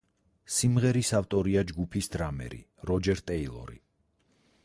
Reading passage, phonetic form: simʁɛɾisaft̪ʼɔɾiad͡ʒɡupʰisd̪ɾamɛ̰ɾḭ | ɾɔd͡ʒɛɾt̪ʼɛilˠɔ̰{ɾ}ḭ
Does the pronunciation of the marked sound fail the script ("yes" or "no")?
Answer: no